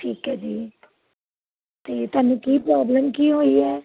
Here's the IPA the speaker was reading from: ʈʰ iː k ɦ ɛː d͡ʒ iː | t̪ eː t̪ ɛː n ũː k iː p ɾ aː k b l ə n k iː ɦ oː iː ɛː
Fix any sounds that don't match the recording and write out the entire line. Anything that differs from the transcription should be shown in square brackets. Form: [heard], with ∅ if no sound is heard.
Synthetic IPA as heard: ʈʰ iː k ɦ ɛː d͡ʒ iː | t̪ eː t̪ [aː] n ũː k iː p ɾ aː [∅] b l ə [m] k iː ɦ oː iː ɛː